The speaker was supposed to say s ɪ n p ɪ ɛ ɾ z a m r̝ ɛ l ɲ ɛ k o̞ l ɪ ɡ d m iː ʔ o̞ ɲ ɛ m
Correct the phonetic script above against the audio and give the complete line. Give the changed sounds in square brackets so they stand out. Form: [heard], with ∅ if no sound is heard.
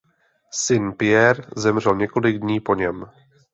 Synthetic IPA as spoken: s ɪ n p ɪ ɛ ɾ z [ɛ] m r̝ ɛ l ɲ ɛ k o̞ l ɪ ɡ d [ɲ] iː [p] o̞ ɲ ɛ m